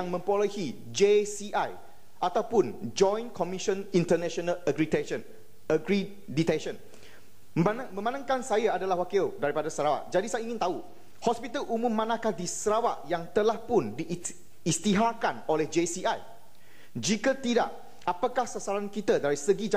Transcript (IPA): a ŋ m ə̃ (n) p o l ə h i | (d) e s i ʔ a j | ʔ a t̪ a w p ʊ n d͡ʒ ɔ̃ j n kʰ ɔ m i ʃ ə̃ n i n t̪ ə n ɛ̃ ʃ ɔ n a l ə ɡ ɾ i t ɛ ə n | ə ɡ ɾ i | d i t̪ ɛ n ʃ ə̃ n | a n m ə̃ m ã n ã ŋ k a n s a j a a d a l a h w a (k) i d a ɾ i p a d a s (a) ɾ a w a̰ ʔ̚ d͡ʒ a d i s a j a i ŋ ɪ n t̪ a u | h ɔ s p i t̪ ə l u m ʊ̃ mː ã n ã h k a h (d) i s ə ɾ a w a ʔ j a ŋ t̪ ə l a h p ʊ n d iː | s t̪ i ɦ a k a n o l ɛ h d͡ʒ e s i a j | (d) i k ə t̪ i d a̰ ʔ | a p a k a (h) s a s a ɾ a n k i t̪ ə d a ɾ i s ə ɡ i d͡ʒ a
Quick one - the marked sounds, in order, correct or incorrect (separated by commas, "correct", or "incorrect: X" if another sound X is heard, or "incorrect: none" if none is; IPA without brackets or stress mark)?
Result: incorrect: m, incorrect: d͡ʒ, correct, incorrect: ə, correct, incorrect: d͡ʒ, correct